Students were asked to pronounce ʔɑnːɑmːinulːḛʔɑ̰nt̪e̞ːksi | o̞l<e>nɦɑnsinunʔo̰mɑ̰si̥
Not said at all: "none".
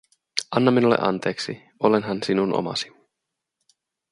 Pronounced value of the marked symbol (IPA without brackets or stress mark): e